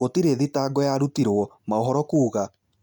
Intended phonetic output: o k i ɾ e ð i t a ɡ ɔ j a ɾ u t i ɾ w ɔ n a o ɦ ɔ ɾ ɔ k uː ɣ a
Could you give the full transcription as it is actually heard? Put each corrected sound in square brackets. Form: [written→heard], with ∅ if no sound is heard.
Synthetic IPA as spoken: o [k→t] i ɾ e ð i t a ɡ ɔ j a ɾ u t i ɾ w ɔ [n→m] a o ɦ ɔ ɾ ɔ k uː ɣ a